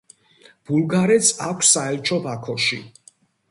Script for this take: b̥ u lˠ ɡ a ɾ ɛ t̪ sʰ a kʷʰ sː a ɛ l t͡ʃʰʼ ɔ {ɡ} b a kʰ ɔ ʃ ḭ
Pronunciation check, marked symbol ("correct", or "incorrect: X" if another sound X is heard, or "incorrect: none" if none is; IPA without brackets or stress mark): incorrect: none